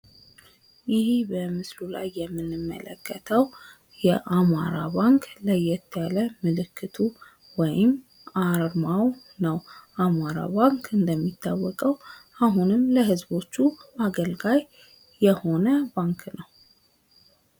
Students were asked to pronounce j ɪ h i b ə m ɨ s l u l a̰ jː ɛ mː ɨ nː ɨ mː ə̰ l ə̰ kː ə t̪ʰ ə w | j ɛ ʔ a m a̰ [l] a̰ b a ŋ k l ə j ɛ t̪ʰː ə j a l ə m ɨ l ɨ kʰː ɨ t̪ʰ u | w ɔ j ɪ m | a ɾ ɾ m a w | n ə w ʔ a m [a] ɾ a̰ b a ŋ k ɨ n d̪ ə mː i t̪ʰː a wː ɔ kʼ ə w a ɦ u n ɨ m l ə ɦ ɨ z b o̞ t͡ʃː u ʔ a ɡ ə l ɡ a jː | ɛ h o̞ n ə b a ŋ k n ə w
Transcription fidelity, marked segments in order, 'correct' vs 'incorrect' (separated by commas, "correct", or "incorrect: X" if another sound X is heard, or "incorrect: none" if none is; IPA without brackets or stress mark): incorrect: ɾ, correct